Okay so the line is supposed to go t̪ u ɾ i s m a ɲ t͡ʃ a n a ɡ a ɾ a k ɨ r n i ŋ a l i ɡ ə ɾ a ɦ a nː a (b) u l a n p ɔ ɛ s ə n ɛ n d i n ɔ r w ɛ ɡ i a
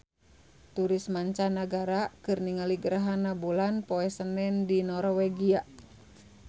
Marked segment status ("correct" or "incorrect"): correct